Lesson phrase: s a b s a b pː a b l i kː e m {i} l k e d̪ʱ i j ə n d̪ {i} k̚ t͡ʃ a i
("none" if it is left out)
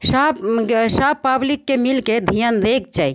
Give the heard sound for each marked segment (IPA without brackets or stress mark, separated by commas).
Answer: i, e